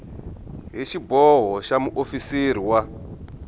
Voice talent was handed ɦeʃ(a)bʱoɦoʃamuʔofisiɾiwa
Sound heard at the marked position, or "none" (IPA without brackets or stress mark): i